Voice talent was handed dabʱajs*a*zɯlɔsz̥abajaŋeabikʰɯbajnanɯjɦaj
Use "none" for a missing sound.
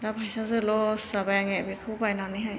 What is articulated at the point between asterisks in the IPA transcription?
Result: a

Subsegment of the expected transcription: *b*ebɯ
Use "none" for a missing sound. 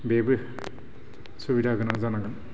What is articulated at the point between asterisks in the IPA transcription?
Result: b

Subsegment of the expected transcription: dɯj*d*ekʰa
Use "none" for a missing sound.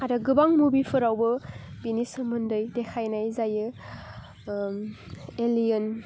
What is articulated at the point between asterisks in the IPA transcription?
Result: d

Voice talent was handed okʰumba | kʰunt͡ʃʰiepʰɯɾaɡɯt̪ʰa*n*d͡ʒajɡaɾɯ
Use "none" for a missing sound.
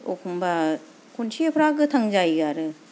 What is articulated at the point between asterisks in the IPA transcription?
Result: ŋ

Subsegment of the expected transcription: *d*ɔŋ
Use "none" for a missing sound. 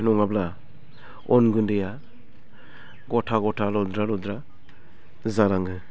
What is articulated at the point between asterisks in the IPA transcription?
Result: n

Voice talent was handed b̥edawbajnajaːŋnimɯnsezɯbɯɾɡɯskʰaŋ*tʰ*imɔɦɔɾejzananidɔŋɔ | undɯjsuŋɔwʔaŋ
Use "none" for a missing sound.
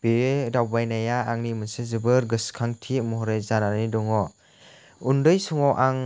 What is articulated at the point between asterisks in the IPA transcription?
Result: tʰ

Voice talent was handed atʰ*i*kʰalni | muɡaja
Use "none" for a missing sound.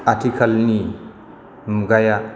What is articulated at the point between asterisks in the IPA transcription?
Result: i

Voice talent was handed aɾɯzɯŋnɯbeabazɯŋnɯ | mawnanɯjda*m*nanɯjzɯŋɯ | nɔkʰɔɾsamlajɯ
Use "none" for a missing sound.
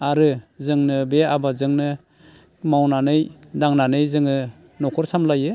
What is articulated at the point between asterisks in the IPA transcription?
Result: ŋ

